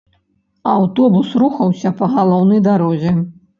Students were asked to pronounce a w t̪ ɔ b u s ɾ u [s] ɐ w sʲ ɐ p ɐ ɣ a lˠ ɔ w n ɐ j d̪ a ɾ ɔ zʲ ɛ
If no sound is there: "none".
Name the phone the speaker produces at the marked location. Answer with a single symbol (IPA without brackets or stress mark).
x